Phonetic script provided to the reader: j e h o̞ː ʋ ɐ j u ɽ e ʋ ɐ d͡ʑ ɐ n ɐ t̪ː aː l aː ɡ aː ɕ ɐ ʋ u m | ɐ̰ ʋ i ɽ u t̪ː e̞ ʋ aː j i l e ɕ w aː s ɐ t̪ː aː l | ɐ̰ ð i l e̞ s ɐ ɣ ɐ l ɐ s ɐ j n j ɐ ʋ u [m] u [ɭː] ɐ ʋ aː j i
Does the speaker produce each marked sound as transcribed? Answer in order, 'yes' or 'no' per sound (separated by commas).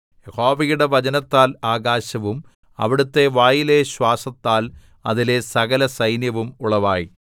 yes, no